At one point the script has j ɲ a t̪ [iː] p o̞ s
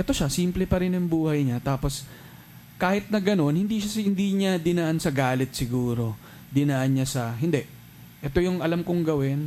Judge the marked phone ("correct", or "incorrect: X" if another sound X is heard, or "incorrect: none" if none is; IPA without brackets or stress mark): incorrect: aː